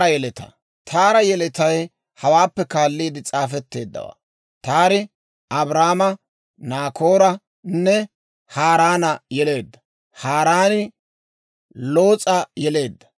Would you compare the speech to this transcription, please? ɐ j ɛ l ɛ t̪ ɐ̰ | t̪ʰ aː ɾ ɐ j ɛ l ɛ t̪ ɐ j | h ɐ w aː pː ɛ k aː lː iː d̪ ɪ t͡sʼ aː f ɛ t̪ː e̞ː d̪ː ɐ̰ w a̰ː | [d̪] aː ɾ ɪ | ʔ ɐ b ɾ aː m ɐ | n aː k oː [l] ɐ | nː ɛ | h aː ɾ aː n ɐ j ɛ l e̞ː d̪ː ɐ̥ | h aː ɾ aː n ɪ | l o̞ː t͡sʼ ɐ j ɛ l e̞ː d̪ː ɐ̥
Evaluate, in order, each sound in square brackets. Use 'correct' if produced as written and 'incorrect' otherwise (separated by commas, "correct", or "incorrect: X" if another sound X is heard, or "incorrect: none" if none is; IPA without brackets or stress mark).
incorrect: t̪, incorrect: ɾ